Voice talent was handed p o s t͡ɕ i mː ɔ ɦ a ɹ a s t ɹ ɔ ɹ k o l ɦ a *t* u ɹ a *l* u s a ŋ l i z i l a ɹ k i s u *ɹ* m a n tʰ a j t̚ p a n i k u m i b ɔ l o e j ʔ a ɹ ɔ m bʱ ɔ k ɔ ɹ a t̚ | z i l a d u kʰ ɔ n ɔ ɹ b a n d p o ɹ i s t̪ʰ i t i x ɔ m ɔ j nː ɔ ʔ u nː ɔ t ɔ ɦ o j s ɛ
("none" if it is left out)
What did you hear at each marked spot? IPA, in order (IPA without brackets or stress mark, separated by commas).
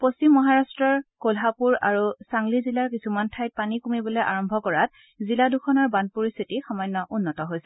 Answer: p, ɹ, none